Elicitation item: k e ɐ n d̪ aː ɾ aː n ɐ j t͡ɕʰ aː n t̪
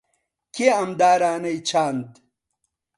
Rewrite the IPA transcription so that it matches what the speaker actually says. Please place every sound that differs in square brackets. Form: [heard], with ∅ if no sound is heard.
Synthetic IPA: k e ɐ [m] d̪ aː ɾ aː n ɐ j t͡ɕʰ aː n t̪

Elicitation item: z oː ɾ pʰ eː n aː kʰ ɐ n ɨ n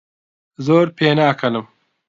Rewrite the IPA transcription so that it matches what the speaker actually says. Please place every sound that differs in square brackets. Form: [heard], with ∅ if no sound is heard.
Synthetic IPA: z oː ɾ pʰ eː n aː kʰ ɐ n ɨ [m]

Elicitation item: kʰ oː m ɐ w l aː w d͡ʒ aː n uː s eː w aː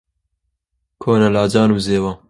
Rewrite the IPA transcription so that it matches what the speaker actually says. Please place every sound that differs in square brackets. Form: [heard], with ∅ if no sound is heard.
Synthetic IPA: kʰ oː [n] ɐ [∅] l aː [∅] d͡ʒ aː n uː [z] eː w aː

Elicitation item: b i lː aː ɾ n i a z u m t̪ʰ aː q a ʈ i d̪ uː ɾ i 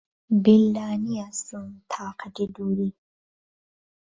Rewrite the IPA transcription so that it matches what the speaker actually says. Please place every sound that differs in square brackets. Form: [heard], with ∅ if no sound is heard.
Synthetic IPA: b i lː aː [∅] n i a [s] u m t̪ʰ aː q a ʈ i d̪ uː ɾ i

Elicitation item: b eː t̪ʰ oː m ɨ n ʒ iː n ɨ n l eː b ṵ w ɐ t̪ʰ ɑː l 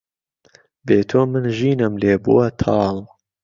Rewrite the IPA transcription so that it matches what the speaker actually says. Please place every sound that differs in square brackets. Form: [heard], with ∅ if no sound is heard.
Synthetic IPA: b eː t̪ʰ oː m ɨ n ʒ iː n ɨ [m] l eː b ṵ w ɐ t̪ʰ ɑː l

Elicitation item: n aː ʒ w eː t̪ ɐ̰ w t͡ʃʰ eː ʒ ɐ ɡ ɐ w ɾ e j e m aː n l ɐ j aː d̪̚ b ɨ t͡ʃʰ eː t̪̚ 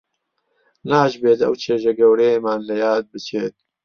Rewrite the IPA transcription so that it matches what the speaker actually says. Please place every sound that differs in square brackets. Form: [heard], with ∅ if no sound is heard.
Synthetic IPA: n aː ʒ [b] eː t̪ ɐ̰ w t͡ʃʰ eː ʒ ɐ ɡ ɐ w ɾ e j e m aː n l ɐ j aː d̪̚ b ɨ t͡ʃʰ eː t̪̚

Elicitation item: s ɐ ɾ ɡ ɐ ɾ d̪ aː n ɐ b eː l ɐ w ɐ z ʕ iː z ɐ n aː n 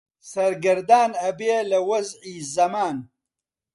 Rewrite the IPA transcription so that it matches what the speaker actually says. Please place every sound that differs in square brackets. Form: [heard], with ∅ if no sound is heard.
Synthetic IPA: s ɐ ɾ ɡ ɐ ɾ d̪ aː n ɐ b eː l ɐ w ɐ z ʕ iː z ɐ [m] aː n

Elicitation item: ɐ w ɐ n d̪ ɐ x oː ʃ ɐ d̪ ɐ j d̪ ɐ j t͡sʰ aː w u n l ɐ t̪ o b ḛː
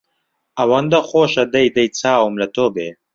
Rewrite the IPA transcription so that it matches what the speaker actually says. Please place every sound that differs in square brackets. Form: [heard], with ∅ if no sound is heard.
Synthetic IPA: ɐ w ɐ n d̪ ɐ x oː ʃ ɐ d̪ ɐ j d̪ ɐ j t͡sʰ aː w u [m] l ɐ t̪ o b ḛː

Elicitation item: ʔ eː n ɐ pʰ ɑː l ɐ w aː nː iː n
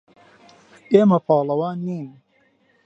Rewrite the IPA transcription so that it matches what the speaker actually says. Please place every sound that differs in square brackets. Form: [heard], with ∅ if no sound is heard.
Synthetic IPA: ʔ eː [m] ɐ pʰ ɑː l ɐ w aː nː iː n

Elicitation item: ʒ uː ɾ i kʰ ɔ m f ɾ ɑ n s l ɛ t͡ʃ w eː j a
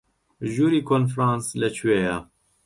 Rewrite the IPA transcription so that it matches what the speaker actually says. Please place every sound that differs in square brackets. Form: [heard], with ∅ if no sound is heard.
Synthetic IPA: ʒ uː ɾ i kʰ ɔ [n] f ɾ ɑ n s l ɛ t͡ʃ w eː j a

